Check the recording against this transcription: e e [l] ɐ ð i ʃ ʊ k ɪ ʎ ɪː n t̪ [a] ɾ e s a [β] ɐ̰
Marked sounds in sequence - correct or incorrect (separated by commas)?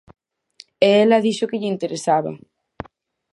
correct, incorrect, correct